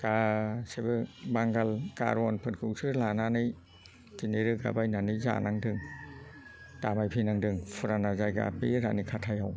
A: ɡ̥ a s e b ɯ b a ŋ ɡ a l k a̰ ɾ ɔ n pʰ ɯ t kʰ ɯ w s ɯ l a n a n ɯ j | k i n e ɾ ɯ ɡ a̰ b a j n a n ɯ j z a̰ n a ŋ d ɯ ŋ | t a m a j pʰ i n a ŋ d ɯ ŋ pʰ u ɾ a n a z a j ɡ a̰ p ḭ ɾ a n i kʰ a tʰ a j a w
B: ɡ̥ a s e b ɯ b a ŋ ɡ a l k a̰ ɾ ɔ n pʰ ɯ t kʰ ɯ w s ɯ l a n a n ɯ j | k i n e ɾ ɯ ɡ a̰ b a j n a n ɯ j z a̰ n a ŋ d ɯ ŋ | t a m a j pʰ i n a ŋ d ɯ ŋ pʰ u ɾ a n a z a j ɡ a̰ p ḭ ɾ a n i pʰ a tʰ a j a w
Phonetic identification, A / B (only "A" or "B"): A